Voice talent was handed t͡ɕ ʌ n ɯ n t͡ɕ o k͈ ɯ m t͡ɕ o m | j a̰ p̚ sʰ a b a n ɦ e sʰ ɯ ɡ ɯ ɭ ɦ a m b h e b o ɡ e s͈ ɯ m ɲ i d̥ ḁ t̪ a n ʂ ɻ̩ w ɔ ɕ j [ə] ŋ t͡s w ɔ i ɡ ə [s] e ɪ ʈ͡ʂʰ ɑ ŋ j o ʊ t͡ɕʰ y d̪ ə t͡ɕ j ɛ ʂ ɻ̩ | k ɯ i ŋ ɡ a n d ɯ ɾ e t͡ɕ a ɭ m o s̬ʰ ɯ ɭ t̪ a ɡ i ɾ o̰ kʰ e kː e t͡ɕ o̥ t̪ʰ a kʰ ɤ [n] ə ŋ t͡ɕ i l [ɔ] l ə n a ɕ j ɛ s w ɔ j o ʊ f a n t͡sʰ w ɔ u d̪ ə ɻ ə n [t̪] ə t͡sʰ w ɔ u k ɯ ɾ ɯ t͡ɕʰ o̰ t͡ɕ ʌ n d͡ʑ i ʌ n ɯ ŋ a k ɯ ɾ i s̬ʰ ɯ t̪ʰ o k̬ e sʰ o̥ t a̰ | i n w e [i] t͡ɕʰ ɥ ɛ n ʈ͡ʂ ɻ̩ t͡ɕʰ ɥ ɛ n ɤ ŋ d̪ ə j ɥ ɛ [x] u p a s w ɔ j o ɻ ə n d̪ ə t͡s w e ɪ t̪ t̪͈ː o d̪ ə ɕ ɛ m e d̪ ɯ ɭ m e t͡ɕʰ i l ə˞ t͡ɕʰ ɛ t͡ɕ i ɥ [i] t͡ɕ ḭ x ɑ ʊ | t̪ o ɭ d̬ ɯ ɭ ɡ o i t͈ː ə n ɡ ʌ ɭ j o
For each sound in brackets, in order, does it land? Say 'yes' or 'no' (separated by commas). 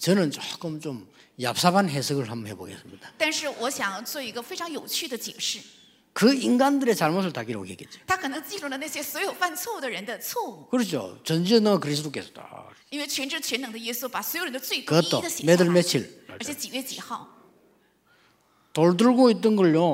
no, no, yes, no, no, no, no, no